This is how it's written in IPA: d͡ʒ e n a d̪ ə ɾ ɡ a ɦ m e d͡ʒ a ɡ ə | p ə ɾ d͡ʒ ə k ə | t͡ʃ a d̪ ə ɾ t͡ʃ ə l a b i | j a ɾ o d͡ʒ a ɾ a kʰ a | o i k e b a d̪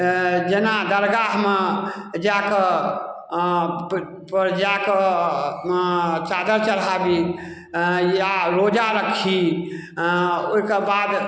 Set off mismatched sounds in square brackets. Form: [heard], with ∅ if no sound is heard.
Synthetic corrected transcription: d͡ʒ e n a d̪ ə ɾ ɡ a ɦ m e d͡ʒ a [k] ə | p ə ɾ d͡ʒ [a] k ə | t͡ʃ a d̪ ə ɾ t͡ʃ ə l a b i | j a ɾ o d͡ʒ a ɾ [ə] kʰ [i] | o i k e b a d̪